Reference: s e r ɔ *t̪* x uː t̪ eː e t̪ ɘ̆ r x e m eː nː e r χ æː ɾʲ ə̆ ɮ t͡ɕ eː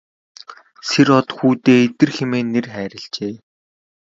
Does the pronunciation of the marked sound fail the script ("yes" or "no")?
no